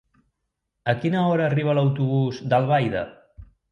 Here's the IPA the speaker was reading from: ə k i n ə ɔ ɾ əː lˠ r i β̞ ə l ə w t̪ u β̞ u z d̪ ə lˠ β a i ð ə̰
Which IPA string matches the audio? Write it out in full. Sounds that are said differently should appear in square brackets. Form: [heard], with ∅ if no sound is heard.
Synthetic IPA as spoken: ə k i n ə ɔ ɾ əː [∅] r i β̞ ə l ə w t̪ u β̞ u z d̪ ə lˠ β a [j] ð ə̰